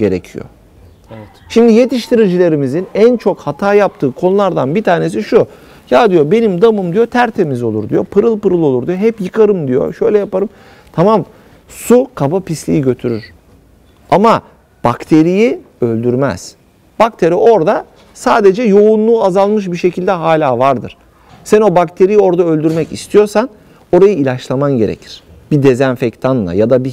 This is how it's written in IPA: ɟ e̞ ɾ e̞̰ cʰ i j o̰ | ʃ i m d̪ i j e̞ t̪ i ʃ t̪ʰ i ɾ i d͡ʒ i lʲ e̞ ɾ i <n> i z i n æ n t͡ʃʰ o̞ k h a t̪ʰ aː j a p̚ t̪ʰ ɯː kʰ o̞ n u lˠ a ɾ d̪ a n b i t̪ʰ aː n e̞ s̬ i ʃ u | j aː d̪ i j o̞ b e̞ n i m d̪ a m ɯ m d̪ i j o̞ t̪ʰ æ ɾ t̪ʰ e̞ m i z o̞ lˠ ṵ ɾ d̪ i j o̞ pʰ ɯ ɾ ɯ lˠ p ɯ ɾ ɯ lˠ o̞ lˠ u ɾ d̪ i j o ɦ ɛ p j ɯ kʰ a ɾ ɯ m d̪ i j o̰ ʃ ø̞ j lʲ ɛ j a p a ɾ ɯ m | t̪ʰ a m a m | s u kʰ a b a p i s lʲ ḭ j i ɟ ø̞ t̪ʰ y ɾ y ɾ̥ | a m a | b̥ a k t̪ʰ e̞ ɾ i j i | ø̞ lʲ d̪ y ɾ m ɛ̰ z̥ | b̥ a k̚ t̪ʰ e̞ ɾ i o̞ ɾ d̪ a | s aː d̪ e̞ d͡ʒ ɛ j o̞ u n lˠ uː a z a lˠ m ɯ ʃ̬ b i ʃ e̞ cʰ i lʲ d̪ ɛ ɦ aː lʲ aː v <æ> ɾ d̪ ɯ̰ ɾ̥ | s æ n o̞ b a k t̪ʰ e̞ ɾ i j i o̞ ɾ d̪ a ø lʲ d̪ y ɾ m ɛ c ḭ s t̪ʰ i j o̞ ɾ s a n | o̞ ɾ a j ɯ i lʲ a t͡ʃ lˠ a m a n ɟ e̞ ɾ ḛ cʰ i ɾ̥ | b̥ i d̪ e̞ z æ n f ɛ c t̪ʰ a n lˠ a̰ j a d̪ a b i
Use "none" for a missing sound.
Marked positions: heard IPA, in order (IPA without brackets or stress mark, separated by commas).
m, a